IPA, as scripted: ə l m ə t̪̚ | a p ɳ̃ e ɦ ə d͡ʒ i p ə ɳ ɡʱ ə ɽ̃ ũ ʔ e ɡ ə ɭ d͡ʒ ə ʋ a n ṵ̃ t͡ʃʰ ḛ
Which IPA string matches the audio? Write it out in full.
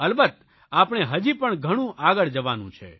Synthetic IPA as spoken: ə l b ə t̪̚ | a p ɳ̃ e ɦ ə d͡ʒ i p ə ɳ ɡʱ ə ɽ̃ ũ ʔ a ɡ ə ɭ d͡ʒ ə ʋ a n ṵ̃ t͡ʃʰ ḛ